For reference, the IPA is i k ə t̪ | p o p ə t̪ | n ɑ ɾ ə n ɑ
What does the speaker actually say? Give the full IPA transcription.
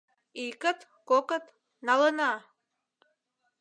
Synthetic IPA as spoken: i k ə t̪ | k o k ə t̪ | n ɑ l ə n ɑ